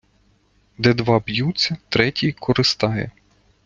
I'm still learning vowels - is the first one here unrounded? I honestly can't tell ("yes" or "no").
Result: yes